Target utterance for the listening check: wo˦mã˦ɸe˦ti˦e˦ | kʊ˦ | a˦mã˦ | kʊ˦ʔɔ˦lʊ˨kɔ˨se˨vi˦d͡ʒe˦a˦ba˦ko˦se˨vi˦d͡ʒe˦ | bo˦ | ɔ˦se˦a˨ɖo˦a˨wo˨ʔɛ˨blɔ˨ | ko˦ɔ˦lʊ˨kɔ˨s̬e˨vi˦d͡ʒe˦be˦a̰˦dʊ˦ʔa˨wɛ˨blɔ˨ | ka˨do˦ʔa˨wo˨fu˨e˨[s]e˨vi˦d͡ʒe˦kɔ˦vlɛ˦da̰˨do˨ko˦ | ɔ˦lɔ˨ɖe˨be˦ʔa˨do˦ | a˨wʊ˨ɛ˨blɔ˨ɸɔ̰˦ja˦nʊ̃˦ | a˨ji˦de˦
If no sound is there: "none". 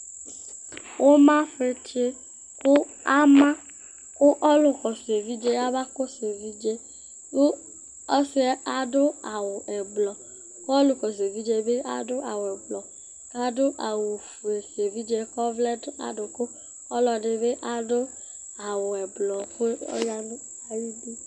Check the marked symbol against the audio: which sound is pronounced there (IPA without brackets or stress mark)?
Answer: s